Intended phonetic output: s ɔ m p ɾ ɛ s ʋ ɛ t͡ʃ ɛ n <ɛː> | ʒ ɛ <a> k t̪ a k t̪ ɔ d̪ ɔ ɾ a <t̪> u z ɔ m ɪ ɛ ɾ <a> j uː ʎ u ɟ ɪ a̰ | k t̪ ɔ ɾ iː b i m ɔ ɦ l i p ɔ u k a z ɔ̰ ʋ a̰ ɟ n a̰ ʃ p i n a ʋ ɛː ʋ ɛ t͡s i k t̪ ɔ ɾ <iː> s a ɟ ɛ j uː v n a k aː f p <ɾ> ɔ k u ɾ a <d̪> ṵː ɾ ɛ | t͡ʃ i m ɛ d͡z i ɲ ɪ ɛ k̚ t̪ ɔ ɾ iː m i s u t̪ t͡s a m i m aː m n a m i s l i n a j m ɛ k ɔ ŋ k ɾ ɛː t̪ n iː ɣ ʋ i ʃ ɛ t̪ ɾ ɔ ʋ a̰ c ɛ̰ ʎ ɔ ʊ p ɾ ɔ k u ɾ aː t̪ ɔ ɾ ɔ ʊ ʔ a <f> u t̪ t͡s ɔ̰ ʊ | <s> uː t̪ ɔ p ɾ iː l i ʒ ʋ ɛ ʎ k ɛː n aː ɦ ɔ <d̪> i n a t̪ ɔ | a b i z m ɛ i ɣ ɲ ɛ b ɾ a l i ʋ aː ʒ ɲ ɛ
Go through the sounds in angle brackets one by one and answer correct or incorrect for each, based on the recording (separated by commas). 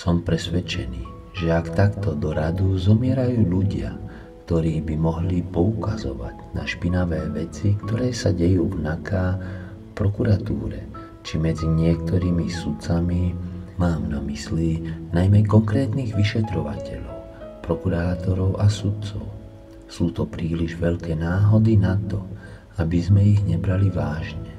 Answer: incorrect, correct, incorrect, correct, incorrect, correct, incorrect, incorrect, correct, correct